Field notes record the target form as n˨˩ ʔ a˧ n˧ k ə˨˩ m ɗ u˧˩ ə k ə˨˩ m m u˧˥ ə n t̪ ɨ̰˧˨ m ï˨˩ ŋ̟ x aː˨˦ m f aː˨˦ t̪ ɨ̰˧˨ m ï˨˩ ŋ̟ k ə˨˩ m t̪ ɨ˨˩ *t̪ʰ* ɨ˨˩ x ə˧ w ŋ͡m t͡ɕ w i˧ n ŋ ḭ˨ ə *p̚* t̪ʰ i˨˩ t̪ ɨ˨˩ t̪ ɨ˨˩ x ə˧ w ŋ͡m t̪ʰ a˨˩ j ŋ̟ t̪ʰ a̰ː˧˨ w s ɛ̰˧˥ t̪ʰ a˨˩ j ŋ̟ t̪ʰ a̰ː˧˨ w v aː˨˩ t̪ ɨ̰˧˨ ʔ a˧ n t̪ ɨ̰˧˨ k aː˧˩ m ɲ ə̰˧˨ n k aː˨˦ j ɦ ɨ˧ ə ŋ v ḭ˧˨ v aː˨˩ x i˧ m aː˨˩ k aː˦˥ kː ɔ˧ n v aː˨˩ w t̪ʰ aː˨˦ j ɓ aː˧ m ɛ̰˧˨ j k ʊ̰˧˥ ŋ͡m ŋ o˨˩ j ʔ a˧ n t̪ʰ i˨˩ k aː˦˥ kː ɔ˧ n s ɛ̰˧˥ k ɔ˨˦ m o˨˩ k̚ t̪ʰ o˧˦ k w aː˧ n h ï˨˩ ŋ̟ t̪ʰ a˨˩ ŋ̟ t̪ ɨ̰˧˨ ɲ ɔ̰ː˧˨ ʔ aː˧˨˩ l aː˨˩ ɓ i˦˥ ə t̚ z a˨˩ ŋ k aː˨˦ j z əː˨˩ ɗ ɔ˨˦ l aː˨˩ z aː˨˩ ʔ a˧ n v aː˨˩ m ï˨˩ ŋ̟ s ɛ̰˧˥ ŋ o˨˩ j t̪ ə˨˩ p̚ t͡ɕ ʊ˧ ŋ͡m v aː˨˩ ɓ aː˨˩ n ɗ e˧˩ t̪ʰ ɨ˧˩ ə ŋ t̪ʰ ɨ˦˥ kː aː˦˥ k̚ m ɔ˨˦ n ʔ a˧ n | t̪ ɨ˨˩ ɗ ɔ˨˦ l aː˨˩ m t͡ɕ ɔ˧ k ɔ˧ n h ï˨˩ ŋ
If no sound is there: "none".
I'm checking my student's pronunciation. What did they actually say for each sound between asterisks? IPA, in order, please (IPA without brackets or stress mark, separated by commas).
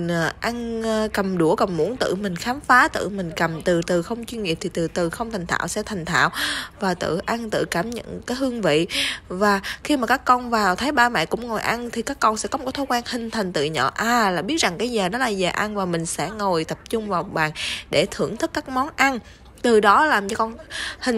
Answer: t̪, p̚